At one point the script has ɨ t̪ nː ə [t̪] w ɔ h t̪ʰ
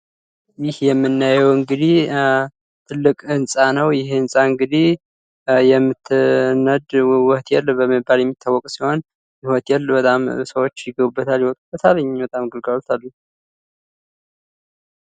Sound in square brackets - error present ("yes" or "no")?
yes